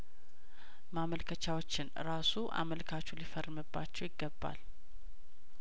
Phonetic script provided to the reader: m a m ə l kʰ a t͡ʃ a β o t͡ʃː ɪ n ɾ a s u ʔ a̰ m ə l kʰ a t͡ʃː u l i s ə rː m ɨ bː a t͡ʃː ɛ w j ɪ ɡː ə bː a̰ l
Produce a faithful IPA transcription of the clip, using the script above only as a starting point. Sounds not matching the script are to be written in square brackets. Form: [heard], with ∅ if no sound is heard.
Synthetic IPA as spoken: m a m ə l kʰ [ə] t͡ʃ a [w] o t͡ʃː ɪ n ɾ a s u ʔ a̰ m ə l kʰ a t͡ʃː u l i [f] ə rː m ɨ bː a t͡ʃː ɛ w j ɪ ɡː ə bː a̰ l